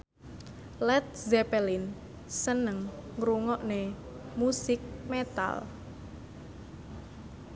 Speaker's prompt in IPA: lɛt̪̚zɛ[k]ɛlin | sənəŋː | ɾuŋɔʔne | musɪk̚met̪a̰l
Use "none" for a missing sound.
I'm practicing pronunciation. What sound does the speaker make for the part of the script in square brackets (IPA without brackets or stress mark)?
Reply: p